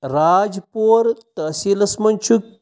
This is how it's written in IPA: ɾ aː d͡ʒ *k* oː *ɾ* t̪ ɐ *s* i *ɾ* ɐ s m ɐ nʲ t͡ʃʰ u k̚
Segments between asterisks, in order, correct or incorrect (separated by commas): incorrect, correct, correct, incorrect